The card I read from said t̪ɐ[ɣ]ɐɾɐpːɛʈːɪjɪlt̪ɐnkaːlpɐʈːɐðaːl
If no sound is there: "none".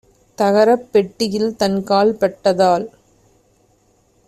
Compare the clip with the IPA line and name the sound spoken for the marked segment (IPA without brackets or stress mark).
ɣ